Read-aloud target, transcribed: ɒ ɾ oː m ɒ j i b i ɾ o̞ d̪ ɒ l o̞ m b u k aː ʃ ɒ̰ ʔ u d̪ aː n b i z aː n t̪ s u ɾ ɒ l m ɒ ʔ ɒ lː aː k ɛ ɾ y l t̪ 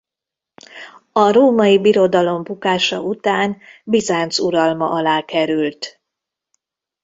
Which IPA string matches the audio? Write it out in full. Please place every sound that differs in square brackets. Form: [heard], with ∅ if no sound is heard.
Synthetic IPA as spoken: ɒ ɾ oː m ɒ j i b i ɾ o̞ d̪ ɒ l o̞ m b u k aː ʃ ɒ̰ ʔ u [t̪] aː n b i z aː n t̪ s u ɾ ɒ l m ɒ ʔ ɒ [l] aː k ɛ ɾ y l t̪